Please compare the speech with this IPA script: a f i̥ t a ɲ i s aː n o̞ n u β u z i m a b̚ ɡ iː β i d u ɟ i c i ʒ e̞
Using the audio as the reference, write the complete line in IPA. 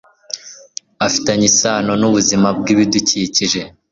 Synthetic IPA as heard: a f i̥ t a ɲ i s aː n o̞ n u β u z i m a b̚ ɡ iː β i d u c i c i ʒ e̞